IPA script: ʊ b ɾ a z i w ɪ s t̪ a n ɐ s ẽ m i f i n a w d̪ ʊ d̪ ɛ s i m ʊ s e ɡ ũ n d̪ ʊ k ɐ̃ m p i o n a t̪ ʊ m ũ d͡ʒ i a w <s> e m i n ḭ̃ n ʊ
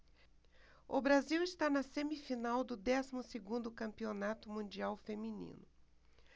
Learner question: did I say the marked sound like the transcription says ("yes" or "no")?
no